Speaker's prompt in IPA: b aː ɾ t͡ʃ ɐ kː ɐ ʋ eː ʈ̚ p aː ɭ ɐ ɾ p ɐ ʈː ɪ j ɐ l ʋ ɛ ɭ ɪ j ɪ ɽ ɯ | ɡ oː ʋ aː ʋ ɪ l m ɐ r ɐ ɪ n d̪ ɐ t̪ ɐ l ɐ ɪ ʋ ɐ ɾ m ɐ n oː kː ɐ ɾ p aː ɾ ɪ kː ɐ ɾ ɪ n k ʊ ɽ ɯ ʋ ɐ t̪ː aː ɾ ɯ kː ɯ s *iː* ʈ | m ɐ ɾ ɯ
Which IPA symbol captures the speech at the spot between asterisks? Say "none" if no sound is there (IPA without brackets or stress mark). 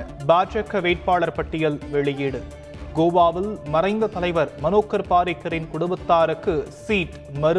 iː